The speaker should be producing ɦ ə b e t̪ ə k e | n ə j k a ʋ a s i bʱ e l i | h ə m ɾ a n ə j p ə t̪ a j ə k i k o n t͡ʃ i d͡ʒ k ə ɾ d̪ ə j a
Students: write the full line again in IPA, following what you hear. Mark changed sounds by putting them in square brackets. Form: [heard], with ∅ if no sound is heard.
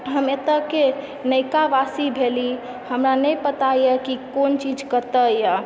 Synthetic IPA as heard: ɦ ə [m] e t̪ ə k e | n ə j k a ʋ a s i bʱ e l i | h ə m ɾ a n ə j p ə t̪ a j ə k i k o n t͡ʃ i d͡ʒ k ə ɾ [t̪] ə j a